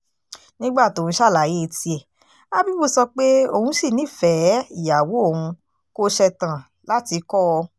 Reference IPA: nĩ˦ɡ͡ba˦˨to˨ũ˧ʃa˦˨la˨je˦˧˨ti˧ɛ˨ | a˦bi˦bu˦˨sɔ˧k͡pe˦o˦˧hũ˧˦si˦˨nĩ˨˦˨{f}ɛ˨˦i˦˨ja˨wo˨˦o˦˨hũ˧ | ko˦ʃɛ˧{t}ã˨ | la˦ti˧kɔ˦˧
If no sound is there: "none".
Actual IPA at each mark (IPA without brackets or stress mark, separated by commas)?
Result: f, t